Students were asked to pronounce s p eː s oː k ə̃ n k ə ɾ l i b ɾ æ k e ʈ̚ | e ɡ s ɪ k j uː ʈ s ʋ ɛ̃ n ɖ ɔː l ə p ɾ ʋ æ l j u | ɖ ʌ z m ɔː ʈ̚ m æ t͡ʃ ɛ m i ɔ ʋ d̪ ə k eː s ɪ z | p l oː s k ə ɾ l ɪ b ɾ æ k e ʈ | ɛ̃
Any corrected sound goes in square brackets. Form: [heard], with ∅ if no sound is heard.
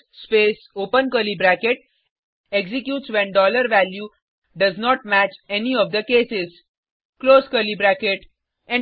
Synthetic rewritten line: s p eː s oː [p] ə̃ n k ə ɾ l i b ɾ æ k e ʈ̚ | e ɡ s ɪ k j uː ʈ s ʋ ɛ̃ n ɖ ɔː l ə [∅] ɾ ʋ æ l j u | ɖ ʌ z [n] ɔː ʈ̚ m æ t͡ʃ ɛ [n] i ɔ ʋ d̪ ə k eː s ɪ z | [k] l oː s k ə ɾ l [i] b ɾ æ k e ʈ | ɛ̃